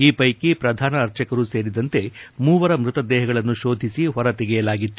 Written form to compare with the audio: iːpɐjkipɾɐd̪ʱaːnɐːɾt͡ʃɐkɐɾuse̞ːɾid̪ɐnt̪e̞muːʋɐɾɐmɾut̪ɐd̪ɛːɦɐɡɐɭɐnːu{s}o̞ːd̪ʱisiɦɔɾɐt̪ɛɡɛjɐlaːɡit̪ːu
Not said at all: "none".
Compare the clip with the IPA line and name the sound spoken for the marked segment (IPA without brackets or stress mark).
ʃ